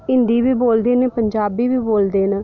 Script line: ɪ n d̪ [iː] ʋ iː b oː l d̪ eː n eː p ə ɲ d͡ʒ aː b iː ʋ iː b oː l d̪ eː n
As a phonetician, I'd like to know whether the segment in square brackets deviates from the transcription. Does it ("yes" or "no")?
no